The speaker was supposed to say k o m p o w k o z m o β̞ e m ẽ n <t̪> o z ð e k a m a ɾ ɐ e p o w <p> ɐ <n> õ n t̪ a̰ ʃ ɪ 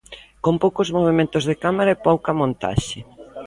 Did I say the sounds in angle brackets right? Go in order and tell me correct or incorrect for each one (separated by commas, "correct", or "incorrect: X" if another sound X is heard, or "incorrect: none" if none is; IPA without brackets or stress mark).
correct, incorrect: k, incorrect: m